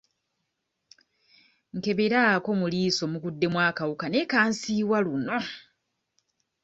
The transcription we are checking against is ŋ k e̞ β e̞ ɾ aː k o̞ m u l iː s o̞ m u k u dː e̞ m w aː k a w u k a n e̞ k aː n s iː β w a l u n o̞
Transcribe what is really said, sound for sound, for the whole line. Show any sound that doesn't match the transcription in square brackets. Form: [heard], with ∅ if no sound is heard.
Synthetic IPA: ŋ k e̞ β e̞ ɾ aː k o̞ m u l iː s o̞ m u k u dː e̞ m w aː k a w u k a n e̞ k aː n s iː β w a l u n o̞